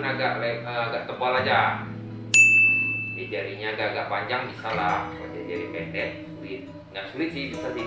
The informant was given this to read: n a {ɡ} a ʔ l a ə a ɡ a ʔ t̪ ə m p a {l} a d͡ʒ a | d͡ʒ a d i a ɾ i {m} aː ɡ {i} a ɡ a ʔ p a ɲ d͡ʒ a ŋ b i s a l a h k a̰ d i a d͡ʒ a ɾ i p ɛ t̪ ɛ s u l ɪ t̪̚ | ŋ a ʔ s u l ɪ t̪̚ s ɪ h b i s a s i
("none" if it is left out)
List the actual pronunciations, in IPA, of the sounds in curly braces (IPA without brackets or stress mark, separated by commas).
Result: ɡ, l, ɲ, a